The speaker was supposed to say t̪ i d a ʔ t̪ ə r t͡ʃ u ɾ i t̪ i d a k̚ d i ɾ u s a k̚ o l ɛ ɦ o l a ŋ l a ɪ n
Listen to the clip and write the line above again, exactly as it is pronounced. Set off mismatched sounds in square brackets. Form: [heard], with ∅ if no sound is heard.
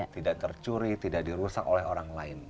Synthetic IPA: t̪ i d a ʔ t̪ ə r t͡ʃ u ɾ i t̪ i d a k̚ d i ɾ u s a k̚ o l ɛ ɦ o [ɾ] a ŋ l a ɪ n